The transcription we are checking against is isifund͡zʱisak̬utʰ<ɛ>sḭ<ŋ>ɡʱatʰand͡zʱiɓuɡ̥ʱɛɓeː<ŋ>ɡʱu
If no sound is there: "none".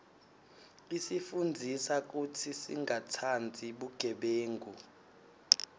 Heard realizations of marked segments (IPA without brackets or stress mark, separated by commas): i, ŋ, ŋ